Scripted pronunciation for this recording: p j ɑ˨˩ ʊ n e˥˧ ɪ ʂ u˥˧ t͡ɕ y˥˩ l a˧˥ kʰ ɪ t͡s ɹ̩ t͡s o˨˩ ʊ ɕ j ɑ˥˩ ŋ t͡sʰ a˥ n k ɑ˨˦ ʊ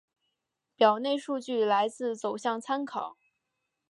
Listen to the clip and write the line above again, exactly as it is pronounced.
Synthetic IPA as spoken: p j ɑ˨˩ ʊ n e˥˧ ɪ ʂ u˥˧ t͡ɕ y˥˩ l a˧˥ ɪ t͡s ɹ̩ t͡s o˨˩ ʊ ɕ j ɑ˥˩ ŋ t͡sʰ a˥ n kʰ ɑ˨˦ ʊ